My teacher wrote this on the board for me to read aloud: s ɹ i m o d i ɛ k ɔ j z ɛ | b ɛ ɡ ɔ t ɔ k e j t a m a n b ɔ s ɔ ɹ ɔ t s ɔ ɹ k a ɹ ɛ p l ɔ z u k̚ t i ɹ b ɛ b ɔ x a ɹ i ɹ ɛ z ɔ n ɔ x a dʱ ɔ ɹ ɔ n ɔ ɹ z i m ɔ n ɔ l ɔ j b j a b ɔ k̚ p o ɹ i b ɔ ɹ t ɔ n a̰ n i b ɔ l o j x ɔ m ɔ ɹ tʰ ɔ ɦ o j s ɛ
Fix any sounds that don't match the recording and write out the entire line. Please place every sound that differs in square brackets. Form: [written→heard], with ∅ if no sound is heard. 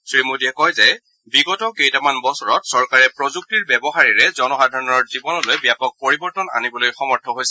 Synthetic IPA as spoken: s ɹ i m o d i ɛ k ɔ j z ɛ | b [ɛ→i] ɡ ɔ t ɔ k e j t a m a n b ɔ s ɔ ɹ ɔ t s ɔ ɹ k a ɹ ɛ p [l→ɹ] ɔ z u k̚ t i ɹ b ɛ b ɔ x a ɹ i ɹ ɛ z ɔ n ɔ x a dʱ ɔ ɹ ɔ n ɔ ɹ z i [m→b] ɔ n ɔ l [ɔ→o] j b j a [b→p] ɔ k̚ p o ɹ i b ɔ ɹ t ɔ n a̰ n i b ɔ l o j x ɔ m ɔ ɹ tʰ ɔ ɦ o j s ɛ